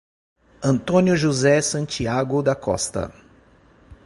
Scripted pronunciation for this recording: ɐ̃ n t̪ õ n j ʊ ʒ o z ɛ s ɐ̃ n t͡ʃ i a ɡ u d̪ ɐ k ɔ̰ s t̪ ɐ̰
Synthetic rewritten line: ɐ̃ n t̪ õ n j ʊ ʒ u z ɛ s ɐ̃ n t͡ʃ i a ɡ ʊ d̪ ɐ k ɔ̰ s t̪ ɐ̰